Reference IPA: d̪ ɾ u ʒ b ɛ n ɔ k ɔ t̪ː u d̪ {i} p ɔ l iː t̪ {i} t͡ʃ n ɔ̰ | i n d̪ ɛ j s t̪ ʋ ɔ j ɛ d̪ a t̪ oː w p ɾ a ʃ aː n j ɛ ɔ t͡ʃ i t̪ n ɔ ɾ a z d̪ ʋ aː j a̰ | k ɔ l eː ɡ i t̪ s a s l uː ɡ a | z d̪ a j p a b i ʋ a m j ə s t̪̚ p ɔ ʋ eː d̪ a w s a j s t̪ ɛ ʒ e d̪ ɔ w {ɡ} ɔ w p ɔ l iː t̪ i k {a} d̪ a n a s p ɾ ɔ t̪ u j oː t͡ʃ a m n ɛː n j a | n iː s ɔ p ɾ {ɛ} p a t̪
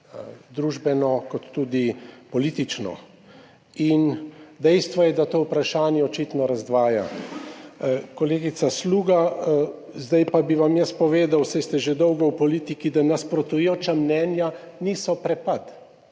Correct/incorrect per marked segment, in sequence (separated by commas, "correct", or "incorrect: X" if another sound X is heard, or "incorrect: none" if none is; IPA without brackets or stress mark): correct, correct, correct, incorrect: i, correct